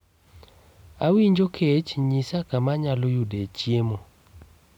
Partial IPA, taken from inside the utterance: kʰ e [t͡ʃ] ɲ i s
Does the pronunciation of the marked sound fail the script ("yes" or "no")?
no